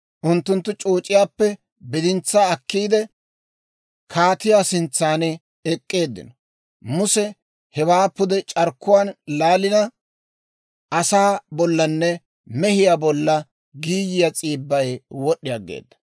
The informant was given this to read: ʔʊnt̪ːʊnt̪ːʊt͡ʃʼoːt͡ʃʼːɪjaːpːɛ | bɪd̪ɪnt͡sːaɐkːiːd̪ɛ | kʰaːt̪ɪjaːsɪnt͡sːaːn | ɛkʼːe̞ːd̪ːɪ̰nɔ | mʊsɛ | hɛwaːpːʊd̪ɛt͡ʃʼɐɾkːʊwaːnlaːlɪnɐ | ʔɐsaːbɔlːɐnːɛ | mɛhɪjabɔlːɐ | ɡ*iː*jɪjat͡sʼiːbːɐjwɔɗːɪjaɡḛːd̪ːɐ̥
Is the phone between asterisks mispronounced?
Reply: no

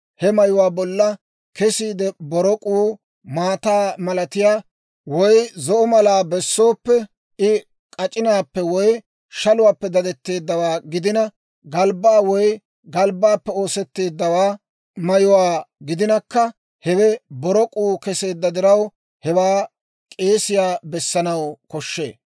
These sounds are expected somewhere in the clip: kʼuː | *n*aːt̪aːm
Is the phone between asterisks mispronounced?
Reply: yes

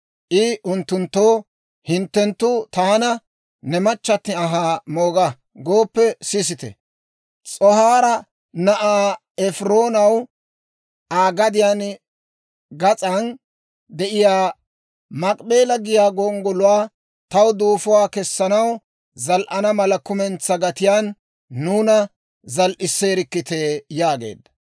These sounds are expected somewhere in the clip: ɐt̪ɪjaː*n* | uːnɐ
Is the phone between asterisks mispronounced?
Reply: yes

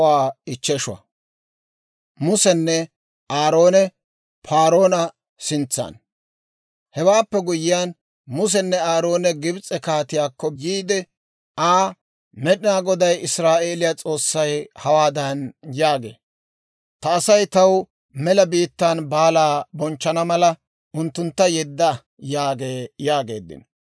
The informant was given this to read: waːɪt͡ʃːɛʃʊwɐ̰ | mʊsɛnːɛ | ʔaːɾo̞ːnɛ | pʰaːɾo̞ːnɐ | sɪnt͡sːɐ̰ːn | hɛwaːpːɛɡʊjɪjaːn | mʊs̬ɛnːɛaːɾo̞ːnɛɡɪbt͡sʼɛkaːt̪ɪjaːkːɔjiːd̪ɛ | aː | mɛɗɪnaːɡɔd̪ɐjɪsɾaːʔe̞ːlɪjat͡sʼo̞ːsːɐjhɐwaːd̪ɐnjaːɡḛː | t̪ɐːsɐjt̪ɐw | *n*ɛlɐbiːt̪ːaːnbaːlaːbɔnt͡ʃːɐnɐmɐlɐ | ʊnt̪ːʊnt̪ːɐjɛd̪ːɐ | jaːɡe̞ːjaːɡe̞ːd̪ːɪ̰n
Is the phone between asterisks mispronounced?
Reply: yes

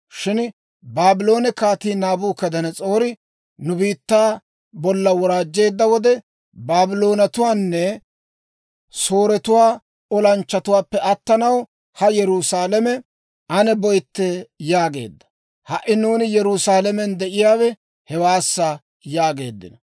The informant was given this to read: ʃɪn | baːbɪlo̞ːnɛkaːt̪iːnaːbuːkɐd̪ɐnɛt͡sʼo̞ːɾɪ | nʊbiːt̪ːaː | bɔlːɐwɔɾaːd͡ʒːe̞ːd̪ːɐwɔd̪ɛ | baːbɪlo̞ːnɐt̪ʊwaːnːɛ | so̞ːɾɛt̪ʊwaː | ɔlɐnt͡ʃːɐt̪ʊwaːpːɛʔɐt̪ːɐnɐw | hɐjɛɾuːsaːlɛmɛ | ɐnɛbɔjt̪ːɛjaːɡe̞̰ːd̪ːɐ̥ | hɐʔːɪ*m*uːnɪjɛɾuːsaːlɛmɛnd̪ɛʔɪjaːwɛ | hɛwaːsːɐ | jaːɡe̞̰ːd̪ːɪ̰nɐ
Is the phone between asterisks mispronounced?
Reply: yes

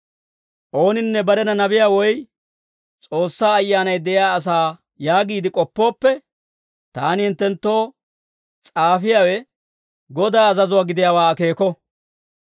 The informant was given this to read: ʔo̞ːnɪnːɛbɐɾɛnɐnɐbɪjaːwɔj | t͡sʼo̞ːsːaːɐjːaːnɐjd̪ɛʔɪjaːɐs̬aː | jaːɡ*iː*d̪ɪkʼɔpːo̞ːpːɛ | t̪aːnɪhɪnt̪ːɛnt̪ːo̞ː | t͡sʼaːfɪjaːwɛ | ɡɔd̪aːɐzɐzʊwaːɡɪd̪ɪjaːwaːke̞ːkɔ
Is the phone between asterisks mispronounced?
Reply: no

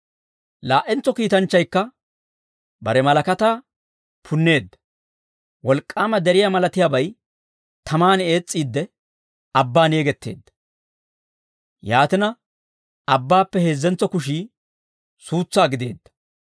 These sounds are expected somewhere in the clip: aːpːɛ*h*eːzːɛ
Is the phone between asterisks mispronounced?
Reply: no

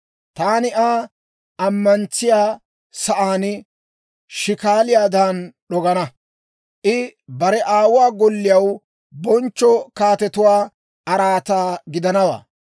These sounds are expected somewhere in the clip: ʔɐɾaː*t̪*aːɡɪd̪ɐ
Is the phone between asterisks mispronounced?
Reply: no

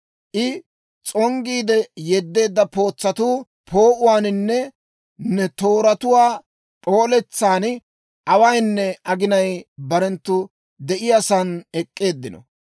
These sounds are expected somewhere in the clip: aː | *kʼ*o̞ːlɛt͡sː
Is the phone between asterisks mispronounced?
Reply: yes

